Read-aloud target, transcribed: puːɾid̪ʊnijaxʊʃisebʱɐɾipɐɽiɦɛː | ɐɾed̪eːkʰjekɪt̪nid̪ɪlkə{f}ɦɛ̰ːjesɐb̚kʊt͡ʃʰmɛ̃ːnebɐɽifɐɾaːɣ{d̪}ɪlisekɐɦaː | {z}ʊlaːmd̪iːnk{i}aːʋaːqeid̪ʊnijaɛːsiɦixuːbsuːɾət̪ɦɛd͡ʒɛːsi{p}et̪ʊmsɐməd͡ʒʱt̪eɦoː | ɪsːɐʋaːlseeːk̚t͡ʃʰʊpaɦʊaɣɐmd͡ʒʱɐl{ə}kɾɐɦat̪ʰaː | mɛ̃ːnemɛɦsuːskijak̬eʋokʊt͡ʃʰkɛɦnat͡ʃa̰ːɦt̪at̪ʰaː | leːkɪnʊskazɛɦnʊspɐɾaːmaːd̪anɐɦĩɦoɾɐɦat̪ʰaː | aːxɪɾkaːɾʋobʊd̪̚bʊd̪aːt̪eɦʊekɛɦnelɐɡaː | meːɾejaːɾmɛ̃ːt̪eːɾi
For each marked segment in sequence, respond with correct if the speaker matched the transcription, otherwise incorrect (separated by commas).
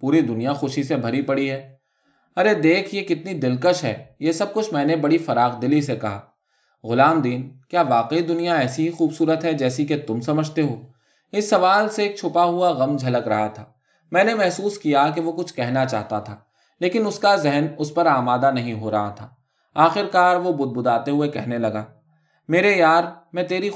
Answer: incorrect, correct, incorrect, incorrect, incorrect, correct